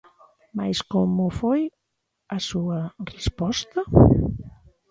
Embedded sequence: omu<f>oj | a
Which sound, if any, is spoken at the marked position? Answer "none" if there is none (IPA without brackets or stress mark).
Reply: f